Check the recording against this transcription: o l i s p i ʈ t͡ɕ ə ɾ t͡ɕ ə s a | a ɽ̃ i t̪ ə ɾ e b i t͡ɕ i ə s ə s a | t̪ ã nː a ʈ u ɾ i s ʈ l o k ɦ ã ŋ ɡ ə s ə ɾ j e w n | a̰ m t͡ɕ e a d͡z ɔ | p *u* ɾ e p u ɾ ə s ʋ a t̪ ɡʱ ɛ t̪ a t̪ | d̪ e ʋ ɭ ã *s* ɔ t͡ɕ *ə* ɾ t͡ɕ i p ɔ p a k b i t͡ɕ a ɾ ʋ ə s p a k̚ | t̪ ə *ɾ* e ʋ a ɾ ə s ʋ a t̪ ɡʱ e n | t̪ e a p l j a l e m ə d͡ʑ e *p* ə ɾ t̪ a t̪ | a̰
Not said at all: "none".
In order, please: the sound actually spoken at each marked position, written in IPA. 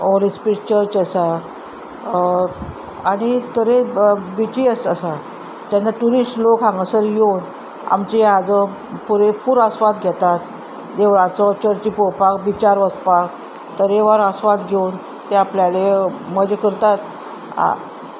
u, t͡s, ə, ɾ, k

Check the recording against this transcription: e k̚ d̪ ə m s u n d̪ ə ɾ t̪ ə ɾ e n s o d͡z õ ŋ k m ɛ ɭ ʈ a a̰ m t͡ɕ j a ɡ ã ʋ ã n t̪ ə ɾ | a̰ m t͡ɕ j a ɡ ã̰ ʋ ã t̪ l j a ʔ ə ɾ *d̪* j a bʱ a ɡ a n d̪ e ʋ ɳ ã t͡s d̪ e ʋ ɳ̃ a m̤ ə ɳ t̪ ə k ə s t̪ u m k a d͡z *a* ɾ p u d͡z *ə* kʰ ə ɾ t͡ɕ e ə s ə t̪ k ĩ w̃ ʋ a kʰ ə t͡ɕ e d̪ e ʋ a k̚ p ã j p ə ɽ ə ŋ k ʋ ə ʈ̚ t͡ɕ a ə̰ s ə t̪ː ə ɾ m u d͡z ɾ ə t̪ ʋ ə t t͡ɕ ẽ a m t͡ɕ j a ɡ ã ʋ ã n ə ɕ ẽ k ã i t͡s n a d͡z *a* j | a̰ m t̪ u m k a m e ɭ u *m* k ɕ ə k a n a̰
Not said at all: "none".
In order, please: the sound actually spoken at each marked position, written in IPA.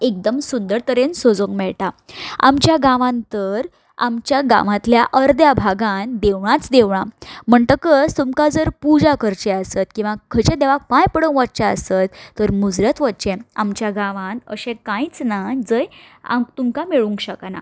d̪, ə, a, ə, ŋ

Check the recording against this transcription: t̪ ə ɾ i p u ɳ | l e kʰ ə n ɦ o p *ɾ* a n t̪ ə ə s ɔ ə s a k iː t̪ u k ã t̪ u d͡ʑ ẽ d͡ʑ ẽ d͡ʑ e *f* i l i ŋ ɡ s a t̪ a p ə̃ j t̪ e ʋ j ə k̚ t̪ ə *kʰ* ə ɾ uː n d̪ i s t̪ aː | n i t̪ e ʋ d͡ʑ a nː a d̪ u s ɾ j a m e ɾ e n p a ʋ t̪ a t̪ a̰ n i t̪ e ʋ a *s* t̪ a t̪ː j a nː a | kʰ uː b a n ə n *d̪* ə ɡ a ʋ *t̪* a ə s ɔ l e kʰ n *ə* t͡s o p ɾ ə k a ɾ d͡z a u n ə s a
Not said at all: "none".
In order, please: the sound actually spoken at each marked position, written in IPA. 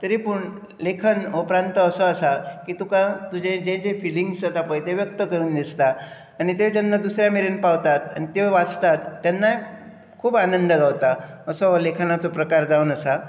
ɾ, f, k, t͡s, d̪, t̪, a

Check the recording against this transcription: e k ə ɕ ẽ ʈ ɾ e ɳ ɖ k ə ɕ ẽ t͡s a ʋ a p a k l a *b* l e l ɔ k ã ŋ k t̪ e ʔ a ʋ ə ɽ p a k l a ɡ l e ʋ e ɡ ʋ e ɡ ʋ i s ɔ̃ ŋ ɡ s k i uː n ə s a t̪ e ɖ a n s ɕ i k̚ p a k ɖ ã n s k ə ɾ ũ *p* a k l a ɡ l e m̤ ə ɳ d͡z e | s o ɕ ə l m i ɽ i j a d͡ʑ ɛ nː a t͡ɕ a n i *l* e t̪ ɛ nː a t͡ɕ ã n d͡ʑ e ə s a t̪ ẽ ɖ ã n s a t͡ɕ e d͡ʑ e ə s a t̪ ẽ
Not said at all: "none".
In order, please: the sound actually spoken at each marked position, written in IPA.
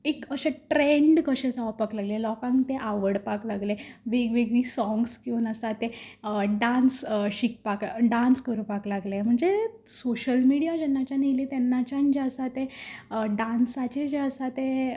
ɡ, p, l

